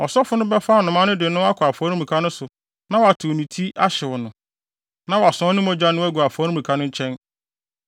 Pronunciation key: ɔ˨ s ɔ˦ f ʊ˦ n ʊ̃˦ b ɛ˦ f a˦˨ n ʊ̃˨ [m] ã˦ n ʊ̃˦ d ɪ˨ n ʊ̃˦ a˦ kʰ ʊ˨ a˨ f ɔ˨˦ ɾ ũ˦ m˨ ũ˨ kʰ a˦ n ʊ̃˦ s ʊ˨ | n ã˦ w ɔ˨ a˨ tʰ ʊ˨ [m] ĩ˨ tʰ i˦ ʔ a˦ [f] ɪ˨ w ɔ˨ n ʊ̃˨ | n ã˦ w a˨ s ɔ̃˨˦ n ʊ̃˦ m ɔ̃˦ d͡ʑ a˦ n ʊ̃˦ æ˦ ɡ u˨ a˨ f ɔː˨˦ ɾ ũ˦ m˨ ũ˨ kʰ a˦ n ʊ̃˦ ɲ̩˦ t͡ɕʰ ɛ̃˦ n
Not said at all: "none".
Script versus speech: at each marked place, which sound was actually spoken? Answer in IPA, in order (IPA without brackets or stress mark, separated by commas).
m, n, ɕ